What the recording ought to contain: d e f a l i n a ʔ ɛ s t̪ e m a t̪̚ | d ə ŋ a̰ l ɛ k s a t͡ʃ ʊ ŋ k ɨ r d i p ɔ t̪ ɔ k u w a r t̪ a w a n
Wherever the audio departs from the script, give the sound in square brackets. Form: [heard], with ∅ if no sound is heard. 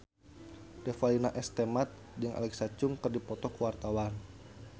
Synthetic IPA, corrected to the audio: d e f a l i n a ʔ ɛ s t̪ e m a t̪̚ | d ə ŋ a̰ l ɛ k s a t͡ʃ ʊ ŋ k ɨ r d i p ɔ t̪ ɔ k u w a r t̪ a w a n